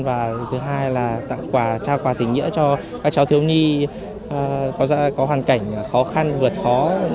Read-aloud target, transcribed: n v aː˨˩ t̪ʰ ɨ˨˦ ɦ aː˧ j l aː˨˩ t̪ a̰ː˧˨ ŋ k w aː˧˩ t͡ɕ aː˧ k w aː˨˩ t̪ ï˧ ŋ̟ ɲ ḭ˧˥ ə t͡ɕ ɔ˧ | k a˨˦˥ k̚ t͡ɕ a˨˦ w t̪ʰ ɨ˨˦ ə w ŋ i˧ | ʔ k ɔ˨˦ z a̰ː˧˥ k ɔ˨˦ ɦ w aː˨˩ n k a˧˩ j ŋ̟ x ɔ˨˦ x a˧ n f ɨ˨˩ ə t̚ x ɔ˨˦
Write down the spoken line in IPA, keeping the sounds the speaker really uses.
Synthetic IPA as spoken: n v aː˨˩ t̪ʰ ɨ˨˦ ɦ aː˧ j l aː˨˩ t̪ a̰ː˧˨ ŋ k w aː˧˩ t͡ɕ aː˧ k w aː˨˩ t̪ ï˨˩ ŋ̟ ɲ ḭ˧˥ ə t͡ɕ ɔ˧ | k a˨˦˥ k̚ t͡ɕ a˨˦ w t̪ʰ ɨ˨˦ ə w ɲ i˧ | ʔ k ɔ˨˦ z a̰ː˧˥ k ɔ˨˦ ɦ w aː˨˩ n k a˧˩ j ŋ̟ x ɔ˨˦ x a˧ n v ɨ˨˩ ə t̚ x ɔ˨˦